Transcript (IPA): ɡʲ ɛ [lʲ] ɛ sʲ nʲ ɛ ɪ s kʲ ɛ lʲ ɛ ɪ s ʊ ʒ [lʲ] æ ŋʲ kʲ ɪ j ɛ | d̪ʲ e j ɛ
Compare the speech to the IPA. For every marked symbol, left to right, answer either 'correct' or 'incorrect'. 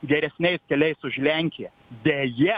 incorrect: ɾʲ, correct

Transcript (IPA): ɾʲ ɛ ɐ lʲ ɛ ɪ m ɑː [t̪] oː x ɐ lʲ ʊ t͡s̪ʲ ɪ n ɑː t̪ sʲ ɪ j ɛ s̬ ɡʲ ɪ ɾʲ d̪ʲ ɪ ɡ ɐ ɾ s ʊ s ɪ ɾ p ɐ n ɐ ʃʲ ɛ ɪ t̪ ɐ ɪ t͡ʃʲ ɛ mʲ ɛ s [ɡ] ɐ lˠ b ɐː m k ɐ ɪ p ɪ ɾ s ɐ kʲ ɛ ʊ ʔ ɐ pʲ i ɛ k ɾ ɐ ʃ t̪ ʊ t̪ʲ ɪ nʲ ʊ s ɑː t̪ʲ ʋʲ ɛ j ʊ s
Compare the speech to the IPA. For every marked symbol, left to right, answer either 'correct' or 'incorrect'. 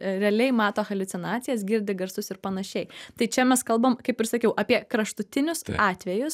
correct, incorrect: k

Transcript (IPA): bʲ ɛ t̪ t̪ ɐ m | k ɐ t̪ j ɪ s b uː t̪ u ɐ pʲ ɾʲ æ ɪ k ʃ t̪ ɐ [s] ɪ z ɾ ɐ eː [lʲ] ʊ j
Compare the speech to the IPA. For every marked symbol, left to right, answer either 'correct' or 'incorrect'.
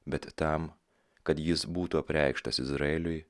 correct, correct

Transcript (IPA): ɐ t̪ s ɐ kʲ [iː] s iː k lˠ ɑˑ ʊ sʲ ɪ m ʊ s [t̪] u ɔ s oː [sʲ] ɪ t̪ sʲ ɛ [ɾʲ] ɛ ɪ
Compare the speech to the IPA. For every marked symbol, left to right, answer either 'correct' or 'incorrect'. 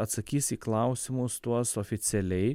correct, correct, incorrect: fʲ, incorrect: lʲ

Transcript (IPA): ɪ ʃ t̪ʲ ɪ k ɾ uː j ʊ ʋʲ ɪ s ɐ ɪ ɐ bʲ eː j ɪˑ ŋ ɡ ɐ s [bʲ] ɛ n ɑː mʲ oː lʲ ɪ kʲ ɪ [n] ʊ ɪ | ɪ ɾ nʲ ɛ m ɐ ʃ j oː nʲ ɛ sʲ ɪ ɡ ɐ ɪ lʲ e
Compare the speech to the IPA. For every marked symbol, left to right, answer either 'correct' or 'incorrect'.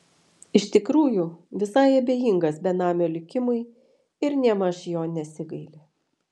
correct, incorrect: m

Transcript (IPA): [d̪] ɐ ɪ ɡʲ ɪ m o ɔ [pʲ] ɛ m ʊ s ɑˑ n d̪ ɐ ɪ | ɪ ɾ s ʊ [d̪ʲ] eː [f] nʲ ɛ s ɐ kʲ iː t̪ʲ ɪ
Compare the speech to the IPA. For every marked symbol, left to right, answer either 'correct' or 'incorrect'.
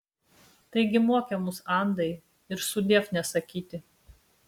incorrect: t̪, incorrect: kʲ, correct, correct

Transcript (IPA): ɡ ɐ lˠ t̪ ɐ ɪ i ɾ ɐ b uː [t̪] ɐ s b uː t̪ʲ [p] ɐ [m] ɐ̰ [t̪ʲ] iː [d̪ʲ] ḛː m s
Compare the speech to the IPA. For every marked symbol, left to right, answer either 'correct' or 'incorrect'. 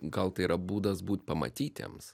incorrect: d̪, correct, correct, correct, incorrect: t̪ʲ

